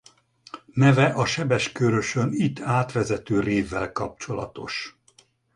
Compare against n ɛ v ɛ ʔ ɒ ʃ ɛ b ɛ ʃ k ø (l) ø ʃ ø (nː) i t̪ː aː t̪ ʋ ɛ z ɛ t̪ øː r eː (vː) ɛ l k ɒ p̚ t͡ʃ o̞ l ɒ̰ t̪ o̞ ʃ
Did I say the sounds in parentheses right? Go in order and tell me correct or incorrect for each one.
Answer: incorrect: ɾ, incorrect: n, correct

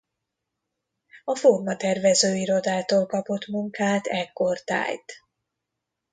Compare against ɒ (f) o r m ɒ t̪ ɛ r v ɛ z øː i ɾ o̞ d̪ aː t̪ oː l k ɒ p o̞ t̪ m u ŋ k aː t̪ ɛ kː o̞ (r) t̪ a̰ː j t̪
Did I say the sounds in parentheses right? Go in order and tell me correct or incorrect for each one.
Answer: correct, correct

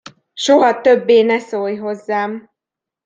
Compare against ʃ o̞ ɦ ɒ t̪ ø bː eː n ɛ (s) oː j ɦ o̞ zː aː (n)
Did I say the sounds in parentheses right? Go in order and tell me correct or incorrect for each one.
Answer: correct, incorrect: m

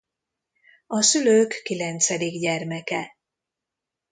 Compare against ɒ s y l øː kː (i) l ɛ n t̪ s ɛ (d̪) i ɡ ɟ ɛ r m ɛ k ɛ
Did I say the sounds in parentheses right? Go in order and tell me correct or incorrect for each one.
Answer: correct, correct

